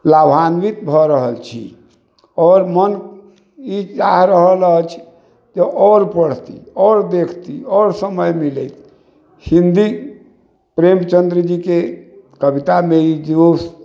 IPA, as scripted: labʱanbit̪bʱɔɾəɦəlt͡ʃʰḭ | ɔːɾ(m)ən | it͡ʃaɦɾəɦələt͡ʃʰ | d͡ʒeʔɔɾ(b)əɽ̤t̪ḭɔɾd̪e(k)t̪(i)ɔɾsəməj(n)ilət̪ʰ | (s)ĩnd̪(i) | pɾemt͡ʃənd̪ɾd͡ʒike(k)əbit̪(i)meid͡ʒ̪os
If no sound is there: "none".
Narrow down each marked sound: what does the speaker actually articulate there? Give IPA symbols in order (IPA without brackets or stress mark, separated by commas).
m, p, kʰ, i, m, h, i, k, a